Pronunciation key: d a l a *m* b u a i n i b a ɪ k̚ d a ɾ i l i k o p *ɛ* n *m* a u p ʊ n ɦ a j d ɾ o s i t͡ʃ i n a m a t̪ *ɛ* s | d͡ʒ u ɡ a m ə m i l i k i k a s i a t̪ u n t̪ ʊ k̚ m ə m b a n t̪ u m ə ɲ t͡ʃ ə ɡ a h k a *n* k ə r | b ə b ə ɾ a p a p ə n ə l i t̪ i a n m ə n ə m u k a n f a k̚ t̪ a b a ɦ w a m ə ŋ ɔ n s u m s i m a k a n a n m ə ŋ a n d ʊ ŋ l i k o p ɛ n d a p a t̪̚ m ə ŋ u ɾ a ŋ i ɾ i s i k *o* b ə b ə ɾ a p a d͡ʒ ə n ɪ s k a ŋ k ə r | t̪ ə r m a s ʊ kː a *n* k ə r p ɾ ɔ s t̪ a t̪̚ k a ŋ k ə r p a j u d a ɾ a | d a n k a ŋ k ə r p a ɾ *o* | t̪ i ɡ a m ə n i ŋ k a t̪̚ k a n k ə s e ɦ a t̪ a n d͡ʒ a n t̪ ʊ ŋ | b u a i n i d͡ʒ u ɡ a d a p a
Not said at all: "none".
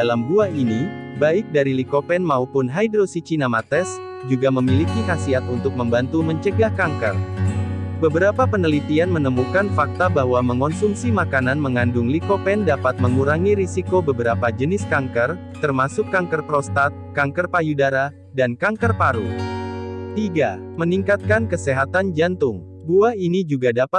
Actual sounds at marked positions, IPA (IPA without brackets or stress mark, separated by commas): m, ɛ, m, ɛ, ŋ, o, ŋ, u